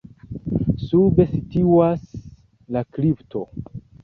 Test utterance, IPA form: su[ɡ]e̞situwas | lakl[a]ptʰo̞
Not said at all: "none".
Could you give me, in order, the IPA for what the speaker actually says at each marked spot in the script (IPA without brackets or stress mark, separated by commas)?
b, i